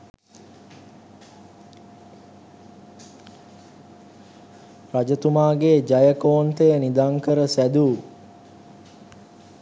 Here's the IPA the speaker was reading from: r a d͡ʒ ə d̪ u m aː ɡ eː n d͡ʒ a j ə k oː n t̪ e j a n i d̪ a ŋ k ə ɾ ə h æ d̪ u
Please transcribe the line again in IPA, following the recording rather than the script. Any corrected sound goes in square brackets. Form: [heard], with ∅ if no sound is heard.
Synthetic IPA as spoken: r a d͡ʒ ə [t̪] u m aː ɡ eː [∅] d͡ʒ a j ə k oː n t̪ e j [ə] n i d̪ a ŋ k ə ɾ ə [s] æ d̪ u